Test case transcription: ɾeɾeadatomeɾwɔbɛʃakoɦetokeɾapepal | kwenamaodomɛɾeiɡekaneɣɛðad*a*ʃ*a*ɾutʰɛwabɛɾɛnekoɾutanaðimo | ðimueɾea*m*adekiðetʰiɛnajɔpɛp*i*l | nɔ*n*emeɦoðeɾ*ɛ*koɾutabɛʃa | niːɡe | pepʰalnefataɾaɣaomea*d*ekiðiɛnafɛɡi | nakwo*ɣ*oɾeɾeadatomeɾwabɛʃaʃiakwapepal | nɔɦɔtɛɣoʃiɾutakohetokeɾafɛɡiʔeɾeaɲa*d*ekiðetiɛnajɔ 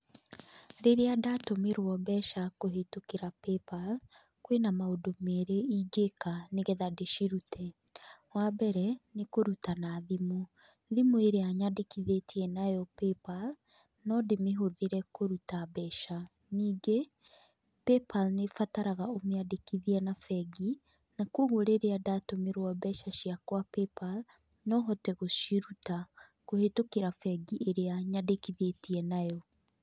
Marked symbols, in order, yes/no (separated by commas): no, no, no, no, no, yes, yes, yes, yes